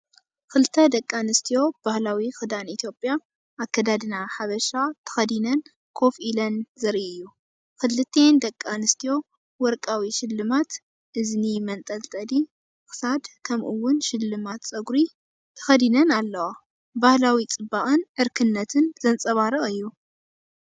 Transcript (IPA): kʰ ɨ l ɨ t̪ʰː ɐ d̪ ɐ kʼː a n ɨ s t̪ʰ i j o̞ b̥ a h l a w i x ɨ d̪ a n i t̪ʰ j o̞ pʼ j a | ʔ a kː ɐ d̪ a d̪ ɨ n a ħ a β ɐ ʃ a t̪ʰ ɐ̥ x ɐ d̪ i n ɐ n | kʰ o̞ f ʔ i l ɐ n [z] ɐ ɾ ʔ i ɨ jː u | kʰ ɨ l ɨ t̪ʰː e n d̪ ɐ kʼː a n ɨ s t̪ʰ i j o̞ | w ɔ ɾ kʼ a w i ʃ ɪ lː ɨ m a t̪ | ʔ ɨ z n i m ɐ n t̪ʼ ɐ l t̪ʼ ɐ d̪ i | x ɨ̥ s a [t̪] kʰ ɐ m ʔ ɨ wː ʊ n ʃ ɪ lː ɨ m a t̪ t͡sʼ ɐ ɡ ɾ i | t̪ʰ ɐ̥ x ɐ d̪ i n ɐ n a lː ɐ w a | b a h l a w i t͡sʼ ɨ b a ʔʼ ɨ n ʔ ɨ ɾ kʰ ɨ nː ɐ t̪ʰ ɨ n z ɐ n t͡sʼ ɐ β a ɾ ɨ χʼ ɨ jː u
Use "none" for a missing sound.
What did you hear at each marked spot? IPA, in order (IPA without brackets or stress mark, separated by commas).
z, d̪